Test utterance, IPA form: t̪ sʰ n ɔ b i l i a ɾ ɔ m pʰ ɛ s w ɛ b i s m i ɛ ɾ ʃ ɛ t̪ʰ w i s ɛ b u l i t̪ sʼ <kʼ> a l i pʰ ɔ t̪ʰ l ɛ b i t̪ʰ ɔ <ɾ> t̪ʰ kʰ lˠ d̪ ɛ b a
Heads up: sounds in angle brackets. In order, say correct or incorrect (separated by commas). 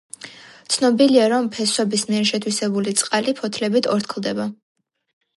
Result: incorrect, correct